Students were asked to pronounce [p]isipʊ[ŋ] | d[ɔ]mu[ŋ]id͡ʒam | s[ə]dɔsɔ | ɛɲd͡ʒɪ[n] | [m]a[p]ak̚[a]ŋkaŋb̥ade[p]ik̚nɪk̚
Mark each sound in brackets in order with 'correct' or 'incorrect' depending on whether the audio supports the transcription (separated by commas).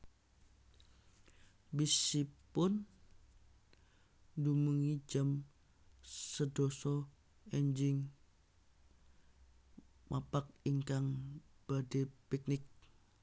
incorrect, incorrect, incorrect, correct, correct, incorrect, correct, correct, incorrect, correct